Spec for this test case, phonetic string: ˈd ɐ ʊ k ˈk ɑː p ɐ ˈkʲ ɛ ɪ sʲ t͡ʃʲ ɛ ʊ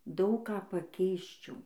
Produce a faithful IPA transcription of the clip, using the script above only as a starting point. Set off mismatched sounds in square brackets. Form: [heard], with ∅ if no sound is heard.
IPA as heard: ˈd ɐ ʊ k ˈk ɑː p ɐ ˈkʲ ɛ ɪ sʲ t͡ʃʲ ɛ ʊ

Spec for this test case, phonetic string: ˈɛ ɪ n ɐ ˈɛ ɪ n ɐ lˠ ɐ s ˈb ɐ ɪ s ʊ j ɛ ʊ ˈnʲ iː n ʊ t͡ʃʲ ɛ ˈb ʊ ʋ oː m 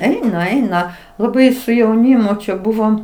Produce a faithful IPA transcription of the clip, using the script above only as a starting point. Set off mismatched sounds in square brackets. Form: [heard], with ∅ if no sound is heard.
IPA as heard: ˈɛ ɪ n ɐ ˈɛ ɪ n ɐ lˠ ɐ [∅] ˈb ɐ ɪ s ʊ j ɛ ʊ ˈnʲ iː [m] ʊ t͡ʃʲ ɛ ˈb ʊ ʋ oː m

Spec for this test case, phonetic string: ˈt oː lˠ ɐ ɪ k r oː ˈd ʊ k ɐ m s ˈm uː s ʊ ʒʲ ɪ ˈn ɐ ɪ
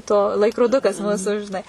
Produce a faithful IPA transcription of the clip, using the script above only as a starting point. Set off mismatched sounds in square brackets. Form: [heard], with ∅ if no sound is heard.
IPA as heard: ˈt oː lˠ ɐ ɪ k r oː ˈd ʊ k ɐ [∅] s ˈm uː s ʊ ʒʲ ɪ ˈn ɐ ɪ

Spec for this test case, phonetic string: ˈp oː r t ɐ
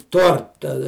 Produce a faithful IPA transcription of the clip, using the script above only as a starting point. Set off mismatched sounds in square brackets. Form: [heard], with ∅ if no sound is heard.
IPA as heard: [ˈt] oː r t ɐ

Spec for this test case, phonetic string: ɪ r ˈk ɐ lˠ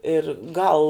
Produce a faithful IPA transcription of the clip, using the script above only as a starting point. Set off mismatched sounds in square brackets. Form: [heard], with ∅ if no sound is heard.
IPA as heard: ɪ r [ˈɡ] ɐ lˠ

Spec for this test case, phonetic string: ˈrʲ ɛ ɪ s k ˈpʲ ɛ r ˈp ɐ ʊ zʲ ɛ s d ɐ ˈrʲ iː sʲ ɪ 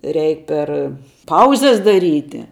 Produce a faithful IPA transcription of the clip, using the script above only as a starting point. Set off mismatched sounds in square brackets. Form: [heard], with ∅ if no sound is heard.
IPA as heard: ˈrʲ ɛ ɪ [∅] k ˈpʲ ɛ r ˈp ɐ ʊ zʲ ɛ s d ɐ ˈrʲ iː [tʲ] ɪ

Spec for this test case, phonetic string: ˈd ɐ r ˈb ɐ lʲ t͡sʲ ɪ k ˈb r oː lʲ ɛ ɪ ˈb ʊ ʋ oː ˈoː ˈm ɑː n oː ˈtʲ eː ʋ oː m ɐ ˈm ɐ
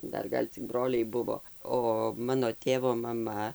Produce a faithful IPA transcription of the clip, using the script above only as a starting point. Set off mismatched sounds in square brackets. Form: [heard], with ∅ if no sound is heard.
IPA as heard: ˈd ɐ r [ˈɡ] ɐ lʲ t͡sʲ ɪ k ˈb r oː lʲ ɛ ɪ ˈb ʊ ʋ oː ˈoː ˈm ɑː n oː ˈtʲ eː ʋ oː m ɐ ˈm ɐ

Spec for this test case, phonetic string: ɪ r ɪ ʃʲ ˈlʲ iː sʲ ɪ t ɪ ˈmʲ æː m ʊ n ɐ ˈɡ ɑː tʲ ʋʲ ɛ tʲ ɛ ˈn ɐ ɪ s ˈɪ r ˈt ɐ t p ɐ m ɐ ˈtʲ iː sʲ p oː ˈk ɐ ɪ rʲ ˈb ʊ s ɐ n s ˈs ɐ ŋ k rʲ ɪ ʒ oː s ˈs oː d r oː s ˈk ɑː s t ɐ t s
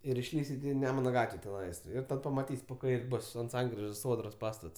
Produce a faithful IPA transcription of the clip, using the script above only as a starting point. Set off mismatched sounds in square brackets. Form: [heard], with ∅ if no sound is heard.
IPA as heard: ɪ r ɪ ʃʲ ˈlʲ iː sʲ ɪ t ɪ [ˈnʲ] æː m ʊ n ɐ ˈɡ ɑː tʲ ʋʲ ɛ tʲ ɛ ˈn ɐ ɪ s ˈɪ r ˈt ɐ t p ɐ m ɐ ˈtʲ iː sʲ p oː ˈk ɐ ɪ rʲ ˈb ʊ s ɐ n [t] ˈs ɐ ŋ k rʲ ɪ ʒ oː s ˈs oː d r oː s [ˈp] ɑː s t ɐ t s

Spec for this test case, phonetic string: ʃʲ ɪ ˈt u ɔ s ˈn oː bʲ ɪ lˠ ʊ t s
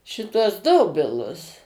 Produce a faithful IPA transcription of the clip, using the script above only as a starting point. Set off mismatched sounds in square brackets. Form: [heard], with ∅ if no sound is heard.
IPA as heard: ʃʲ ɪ ˈt u ɔ s [ˈd] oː bʲ ɪ lˠ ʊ [∅] s

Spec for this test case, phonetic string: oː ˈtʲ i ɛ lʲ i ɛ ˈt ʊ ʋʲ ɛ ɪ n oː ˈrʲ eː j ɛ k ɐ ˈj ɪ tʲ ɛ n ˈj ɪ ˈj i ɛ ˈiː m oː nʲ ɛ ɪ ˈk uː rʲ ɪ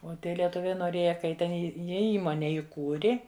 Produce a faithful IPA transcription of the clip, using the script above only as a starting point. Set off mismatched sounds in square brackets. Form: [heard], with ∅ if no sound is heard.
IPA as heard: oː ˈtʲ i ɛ lʲ i ɛ ˈt ʊ ʋʲ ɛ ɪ n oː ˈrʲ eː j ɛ k ɐ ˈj ɪ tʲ ɛ n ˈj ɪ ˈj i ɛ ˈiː m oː nʲ ɛ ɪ ˈk uː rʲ ɪ

